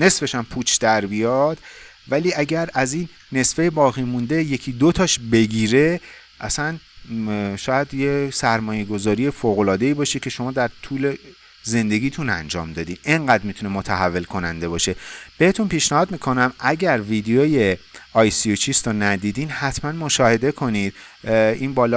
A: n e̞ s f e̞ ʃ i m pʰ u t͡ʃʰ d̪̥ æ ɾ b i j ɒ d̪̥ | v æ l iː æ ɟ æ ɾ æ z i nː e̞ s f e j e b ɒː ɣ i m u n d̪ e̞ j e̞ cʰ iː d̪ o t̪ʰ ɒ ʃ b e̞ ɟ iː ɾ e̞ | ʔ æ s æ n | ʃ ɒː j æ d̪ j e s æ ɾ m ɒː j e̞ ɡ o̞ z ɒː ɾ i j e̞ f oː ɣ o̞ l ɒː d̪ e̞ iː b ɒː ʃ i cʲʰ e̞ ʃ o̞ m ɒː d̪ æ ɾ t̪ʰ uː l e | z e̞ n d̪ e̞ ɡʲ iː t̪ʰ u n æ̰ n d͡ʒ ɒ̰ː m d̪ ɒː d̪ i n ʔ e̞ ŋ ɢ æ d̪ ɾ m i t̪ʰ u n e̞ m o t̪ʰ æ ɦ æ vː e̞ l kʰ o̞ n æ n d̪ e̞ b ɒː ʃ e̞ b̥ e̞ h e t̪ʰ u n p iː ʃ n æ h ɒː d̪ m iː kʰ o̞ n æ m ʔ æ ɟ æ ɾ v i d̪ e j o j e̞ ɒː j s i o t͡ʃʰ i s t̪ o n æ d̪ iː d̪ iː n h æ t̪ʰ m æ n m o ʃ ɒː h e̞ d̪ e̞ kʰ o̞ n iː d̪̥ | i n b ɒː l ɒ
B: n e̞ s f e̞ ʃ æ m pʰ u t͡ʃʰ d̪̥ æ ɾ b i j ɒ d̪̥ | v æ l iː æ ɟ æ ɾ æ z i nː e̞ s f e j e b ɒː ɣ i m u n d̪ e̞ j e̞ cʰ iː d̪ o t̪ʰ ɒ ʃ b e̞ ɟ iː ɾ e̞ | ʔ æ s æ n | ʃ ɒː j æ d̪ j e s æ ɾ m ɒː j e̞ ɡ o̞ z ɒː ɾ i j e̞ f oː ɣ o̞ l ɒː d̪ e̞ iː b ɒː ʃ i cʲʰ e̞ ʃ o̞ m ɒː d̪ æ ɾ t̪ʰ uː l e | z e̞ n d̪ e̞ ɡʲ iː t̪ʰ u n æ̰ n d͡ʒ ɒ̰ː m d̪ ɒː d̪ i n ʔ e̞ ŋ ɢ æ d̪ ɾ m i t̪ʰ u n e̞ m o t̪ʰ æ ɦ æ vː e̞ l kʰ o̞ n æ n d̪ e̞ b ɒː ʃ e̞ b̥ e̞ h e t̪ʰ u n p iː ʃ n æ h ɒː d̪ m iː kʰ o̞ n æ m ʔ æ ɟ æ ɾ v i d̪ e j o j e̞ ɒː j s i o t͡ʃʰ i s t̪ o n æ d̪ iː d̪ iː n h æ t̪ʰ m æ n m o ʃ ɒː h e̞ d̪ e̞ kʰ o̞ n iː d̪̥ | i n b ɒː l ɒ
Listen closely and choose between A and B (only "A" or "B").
B